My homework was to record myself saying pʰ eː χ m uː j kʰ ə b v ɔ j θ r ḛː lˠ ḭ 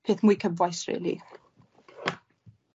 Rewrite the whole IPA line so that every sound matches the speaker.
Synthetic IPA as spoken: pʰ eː θ m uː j kʰ ə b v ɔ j s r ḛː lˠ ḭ